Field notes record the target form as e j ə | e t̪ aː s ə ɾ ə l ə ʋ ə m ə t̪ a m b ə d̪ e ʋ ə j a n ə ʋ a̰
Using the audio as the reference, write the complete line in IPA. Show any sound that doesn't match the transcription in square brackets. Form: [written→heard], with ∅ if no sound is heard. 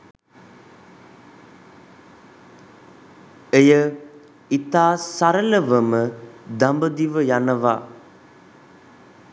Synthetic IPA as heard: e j ə | [e→i] t̪ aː s [ə→a] ɾ ə l ə ʋ ə m ə [t̪→d̪] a m b ə d̪ [e→i] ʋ ə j a n ə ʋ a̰